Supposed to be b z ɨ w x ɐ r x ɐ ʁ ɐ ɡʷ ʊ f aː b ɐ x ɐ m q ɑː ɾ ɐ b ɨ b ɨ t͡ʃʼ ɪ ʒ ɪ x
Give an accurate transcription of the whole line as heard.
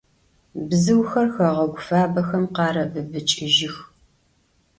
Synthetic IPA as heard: b z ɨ w x ɐ r x ɐ ʁ ɐ ɡʷ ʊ f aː b ɐ x ɐ m q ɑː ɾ ɐ b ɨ b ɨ t͡ʃʼ ɪ ʒ ɪ x